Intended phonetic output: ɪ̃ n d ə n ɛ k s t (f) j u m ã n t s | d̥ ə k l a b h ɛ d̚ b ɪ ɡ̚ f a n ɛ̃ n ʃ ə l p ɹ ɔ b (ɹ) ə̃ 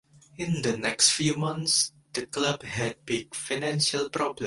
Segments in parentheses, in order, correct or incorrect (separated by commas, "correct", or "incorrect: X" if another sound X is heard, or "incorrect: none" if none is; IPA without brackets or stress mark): correct, incorrect: l